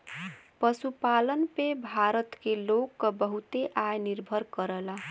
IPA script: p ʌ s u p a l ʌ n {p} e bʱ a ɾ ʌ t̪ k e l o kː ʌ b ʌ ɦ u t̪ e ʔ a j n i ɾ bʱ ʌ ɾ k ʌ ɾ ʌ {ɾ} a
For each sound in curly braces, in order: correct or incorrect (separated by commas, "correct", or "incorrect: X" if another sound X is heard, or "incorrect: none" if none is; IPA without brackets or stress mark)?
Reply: correct, incorrect: l